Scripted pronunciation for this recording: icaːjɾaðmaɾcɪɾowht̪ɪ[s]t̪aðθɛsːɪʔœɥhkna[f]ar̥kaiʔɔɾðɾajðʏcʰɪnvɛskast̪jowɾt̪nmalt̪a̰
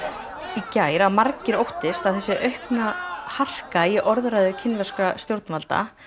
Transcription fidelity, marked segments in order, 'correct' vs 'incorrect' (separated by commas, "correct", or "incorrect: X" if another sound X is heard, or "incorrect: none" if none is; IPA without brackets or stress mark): correct, incorrect: h